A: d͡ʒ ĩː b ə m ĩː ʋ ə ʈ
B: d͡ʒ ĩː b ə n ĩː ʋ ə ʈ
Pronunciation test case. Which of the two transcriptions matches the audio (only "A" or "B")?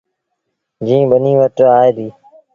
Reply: B